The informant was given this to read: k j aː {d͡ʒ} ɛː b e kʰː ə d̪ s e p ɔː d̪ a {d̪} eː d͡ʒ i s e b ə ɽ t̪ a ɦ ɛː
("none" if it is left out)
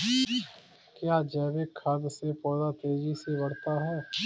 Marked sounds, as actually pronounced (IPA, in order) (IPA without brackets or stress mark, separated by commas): d͡ʒ, t̪